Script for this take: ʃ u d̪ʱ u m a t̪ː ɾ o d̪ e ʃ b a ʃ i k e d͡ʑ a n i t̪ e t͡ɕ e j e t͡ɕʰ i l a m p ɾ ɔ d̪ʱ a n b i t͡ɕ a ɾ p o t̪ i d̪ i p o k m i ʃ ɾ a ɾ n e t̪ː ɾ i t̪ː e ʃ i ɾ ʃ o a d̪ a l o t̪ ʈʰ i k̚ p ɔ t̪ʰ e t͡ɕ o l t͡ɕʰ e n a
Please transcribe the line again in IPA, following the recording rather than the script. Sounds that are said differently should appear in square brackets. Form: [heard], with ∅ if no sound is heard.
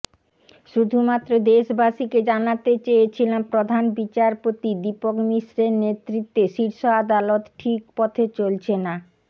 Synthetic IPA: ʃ u d̪ʱ u m a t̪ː ɾ o d̪ e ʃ b a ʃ i k e d͡ʑ a n [a] t̪ e t͡ɕ e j e t͡ɕʰ i l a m p ɾ [o] d̪ʱ a n b i t͡ɕ a ɾ p o t̪ i d̪ i p o k m i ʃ ɾ [e] ɾ n e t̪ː ɾ i t̪ː e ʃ i ɾ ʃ o a d̪ a l o t̪ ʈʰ i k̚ p ɔ t̪ʰ e t͡ɕ o l t͡ɕʰ e n a